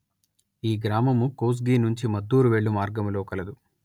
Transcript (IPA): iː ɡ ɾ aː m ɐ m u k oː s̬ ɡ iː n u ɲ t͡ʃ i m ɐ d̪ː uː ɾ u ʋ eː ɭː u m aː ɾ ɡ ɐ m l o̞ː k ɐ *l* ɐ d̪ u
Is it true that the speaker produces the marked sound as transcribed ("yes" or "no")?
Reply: yes